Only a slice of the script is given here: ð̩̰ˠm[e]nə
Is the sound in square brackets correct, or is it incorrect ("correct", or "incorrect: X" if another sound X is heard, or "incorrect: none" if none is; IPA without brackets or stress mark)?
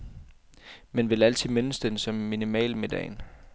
correct